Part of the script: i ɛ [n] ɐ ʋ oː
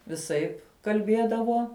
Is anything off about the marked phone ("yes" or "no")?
yes